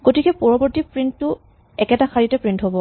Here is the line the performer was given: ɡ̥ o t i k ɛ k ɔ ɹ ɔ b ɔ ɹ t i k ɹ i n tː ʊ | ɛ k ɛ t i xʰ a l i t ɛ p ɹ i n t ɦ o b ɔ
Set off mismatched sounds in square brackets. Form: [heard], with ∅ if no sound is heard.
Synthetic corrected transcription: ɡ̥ o t i k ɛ [p] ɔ ɹ ɔ b ɔ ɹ t i [p] ɹ i n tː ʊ | ɛ k ɛ t [a] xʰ a [ɹ] i t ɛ p ɹ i n t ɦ o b ɔ